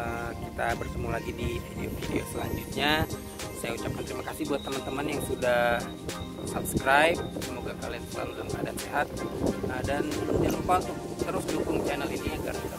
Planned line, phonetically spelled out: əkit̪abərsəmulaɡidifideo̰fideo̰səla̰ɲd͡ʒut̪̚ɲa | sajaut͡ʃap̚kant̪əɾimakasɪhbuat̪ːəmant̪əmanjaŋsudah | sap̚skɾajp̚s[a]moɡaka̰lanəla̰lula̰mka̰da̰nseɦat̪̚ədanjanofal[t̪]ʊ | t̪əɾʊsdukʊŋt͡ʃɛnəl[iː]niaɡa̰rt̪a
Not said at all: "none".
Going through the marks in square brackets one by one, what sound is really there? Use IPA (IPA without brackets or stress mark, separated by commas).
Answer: ə, t̪, i